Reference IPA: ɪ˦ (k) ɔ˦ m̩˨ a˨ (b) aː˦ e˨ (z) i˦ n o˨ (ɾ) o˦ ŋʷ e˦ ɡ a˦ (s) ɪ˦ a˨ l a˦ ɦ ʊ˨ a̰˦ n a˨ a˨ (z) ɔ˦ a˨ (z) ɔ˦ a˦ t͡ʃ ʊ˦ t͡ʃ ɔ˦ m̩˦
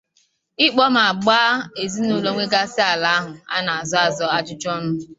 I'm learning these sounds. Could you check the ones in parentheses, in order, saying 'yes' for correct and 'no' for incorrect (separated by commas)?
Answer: no, no, yes, no, yes, yes, yes